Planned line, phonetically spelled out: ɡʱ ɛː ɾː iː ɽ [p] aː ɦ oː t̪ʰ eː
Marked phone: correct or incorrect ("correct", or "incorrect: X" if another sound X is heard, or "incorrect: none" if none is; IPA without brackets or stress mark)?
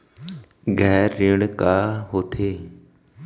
incorrect: k